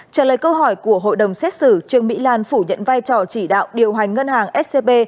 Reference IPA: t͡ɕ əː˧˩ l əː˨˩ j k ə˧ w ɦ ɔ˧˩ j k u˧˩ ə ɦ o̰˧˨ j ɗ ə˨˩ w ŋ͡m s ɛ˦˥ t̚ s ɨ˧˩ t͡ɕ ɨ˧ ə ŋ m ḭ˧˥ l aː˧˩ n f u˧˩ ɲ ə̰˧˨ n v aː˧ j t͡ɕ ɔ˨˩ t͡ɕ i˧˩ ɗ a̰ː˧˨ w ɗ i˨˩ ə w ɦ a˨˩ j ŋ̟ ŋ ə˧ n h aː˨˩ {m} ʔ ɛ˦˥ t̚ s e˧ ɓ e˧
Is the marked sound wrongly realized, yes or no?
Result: yes